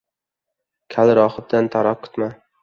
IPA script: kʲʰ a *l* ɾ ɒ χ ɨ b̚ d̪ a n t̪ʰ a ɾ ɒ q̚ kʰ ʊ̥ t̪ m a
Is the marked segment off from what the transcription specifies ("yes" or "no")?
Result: no